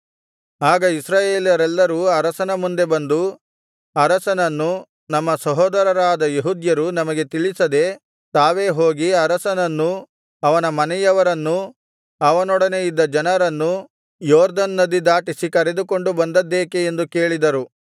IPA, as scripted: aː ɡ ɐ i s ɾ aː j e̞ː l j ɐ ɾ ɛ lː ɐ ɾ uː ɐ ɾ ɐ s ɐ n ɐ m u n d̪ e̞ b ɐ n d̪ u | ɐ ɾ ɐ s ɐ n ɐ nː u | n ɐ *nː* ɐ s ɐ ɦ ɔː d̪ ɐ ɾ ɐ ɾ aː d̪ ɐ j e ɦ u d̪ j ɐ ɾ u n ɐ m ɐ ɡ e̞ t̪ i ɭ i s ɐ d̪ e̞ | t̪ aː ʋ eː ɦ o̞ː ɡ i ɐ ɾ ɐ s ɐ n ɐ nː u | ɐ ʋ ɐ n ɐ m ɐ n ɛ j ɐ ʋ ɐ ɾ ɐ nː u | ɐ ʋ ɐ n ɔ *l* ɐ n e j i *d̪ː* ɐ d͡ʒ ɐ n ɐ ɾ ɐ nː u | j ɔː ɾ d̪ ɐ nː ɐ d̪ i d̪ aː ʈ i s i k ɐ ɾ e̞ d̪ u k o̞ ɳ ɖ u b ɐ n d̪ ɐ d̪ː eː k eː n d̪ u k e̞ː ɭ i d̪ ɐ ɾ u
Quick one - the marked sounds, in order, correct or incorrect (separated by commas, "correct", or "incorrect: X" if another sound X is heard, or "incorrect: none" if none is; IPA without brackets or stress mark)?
incorrect: mː, incorrect: ɽ, correct